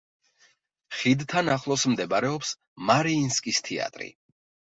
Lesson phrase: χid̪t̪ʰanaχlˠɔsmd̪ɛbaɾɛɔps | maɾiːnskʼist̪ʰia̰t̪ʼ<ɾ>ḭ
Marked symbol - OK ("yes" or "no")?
yes